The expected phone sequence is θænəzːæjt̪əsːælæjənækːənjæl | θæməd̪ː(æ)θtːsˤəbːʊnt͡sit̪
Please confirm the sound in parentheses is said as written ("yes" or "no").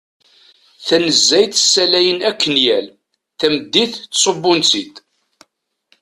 no